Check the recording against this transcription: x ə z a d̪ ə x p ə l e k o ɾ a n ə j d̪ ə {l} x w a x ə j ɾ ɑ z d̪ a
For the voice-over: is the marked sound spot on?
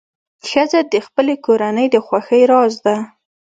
no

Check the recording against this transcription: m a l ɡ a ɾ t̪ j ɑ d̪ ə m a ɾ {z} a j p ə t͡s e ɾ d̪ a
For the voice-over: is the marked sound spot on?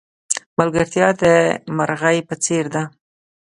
no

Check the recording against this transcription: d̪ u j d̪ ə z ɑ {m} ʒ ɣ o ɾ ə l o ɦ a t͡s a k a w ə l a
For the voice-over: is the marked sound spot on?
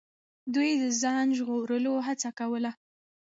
no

